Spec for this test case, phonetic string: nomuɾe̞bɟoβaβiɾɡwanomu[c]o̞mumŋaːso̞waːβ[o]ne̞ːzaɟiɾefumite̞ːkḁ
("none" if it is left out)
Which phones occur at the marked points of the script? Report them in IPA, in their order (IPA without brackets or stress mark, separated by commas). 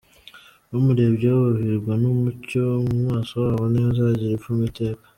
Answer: c, o